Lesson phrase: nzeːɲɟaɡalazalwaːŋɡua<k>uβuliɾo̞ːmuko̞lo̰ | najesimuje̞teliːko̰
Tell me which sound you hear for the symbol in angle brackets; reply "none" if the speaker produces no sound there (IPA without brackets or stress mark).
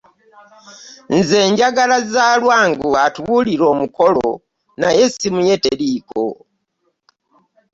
t